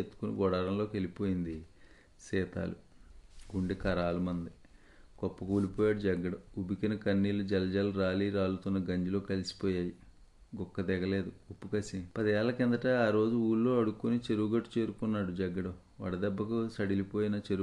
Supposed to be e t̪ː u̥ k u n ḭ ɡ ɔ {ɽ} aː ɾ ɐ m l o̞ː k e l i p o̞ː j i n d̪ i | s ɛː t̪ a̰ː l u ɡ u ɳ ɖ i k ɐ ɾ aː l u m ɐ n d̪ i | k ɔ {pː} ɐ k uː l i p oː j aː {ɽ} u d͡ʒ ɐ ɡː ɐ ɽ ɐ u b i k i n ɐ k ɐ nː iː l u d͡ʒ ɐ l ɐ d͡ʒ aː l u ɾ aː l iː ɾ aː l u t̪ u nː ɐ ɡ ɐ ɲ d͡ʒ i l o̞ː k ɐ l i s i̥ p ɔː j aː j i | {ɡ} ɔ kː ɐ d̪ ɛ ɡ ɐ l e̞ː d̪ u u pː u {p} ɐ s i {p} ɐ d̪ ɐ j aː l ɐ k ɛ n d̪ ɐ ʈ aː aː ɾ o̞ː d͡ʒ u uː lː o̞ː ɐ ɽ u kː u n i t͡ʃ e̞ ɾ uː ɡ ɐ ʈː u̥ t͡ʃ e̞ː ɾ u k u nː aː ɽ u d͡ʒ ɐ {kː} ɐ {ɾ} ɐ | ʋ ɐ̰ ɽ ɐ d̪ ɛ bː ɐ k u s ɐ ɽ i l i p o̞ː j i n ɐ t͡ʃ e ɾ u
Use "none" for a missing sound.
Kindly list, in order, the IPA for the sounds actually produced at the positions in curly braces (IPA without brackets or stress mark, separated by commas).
ɽ, pː, ɽ, ɡ, k, p, ɡː, ɽ